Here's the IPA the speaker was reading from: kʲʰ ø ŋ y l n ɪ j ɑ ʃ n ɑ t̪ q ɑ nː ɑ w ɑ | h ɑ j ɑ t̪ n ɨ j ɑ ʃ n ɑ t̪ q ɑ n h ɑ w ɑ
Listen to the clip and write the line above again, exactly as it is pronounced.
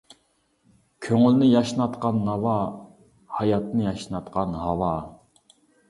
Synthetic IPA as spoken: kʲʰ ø ŋ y l n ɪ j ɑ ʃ n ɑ t̪ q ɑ nː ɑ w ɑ | h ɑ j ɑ t̪ n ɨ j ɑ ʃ n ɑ t̪ q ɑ n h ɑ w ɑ